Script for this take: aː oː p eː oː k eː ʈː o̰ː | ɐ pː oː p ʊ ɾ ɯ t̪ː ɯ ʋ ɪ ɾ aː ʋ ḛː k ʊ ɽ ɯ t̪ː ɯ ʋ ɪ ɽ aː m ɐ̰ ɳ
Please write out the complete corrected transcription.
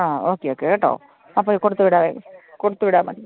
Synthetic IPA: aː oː k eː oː k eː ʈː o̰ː | ɐ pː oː k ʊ ɽ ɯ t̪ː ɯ ʋ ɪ ɽ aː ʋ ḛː k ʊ ɽ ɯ t̪ː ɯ ʋ ɪ ɽ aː m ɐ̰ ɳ